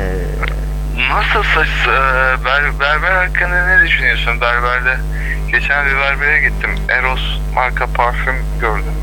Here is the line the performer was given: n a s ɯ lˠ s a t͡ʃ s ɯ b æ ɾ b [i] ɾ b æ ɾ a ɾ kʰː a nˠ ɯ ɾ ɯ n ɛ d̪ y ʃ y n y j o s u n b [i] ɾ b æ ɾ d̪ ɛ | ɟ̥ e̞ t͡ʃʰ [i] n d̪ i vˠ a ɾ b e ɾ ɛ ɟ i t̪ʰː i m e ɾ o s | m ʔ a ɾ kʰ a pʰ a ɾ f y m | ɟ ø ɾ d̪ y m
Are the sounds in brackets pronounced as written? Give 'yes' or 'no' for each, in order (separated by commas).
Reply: no, no, no